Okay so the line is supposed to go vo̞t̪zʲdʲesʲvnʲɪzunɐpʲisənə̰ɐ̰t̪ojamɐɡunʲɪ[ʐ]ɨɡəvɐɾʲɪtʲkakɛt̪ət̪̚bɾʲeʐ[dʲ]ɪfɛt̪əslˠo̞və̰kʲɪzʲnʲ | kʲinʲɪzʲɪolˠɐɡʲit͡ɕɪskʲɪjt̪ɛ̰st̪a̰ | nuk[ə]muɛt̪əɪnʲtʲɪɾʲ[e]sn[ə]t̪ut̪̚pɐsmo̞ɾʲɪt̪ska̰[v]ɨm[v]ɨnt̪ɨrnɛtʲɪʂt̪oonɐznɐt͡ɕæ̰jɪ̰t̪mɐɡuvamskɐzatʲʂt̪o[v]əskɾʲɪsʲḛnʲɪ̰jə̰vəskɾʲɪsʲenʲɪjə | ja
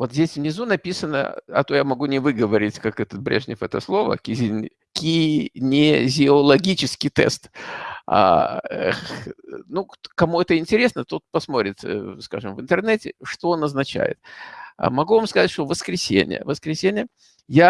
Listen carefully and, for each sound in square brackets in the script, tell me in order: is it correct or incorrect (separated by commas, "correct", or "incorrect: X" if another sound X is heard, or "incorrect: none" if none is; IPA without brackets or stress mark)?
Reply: incorrect: v, incorrect: nʲ, incorrect: ɐ, correct, correct, incorrect: ʐ, correct, correct